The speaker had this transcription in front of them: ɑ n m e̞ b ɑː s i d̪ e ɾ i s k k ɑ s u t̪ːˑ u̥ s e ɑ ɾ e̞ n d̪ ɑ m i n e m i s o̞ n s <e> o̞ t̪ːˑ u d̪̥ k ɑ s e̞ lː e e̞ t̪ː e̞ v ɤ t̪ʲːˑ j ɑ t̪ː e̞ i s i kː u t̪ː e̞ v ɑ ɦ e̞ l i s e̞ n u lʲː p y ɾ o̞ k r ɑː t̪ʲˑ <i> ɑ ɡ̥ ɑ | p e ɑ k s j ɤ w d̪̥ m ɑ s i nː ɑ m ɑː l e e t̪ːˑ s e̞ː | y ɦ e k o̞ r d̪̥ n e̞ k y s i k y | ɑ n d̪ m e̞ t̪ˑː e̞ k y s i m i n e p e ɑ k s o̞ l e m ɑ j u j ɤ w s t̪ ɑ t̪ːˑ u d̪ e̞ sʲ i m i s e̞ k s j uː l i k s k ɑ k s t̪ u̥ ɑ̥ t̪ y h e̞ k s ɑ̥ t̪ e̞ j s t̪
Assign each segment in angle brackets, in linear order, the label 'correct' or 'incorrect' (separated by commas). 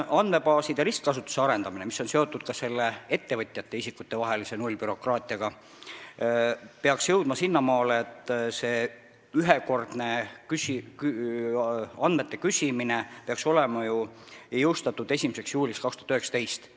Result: correct, correct